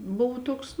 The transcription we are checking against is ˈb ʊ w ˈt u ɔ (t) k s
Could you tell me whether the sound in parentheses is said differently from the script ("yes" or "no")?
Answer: yes